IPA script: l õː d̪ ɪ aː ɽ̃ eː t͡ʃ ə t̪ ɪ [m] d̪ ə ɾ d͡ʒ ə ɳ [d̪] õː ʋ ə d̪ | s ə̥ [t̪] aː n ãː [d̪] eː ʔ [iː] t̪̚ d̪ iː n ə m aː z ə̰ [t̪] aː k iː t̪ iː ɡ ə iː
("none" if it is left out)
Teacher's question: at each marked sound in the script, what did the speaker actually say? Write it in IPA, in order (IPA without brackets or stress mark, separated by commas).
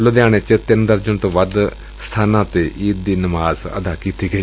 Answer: n, t̪, t̪ʰ, t̪, iː, d̪